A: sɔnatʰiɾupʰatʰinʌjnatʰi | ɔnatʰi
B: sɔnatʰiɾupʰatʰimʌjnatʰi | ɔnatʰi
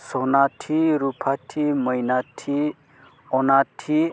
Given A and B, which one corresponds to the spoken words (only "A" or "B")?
B